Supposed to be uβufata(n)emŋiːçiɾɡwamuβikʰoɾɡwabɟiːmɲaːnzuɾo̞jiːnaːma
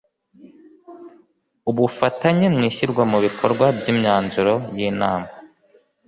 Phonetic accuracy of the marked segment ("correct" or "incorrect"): incorrect